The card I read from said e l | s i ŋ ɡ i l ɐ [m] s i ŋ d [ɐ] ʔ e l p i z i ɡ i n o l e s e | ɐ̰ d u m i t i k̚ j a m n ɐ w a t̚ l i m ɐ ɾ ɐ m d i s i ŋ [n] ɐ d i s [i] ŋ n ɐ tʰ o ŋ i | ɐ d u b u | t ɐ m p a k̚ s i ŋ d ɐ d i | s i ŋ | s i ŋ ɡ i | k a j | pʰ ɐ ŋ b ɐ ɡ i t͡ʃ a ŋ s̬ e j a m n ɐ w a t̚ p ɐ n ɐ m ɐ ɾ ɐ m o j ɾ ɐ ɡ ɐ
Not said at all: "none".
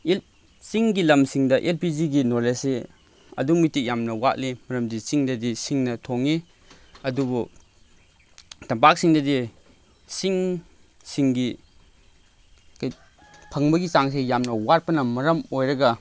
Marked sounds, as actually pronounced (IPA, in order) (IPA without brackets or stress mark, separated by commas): m, ɐ, d, i